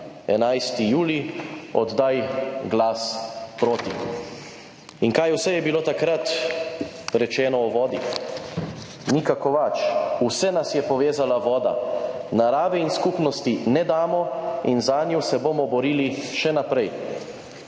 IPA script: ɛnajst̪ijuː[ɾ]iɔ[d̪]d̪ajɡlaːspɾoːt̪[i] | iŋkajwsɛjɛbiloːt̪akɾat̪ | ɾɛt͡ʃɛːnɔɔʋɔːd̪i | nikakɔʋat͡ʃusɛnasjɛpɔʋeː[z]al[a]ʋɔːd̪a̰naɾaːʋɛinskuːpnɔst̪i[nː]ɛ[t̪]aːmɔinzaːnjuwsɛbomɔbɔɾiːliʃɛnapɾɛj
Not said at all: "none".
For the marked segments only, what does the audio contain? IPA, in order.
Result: l, d̪, i, z, a, n, d̪

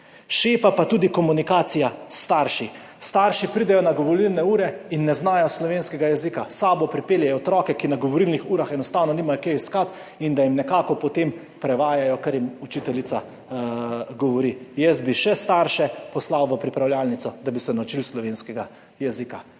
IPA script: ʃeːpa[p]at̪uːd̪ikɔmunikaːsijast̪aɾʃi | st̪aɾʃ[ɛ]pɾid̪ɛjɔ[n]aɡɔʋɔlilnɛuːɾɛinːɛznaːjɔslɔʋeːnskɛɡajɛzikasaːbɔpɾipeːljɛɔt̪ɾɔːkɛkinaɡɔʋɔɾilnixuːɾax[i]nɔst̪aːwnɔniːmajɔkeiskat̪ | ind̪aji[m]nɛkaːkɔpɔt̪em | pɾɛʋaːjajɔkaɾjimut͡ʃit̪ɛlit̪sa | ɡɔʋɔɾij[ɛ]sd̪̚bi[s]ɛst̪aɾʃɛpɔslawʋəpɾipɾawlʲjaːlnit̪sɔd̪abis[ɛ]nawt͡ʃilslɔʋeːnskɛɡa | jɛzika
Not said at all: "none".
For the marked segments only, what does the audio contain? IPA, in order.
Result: p, i, n, ɛ, m, ɛ, ʃ, ɛ

